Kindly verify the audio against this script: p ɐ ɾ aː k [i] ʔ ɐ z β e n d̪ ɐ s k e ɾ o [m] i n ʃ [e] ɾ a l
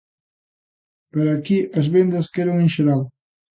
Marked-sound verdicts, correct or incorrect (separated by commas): correct, incorrect, correct